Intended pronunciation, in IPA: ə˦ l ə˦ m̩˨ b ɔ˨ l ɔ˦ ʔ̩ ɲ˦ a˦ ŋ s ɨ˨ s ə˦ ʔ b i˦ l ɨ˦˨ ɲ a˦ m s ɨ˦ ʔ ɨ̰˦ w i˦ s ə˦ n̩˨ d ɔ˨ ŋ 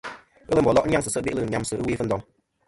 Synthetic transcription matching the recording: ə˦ l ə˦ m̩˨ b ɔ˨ l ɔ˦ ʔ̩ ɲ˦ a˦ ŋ s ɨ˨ s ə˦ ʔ b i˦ l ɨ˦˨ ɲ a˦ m s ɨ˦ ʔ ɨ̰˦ w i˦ f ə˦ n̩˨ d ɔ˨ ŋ